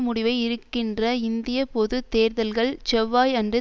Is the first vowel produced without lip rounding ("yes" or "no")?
no